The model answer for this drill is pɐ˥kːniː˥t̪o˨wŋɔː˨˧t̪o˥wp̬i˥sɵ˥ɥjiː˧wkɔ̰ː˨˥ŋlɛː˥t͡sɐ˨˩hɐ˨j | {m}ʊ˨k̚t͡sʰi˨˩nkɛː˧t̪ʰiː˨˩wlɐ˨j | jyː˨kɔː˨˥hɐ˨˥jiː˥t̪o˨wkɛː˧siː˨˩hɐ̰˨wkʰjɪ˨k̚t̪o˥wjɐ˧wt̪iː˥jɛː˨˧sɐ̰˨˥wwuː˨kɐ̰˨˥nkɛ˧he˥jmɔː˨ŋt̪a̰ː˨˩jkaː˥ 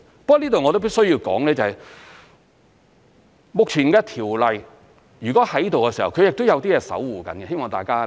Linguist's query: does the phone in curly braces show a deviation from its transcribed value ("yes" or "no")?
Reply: no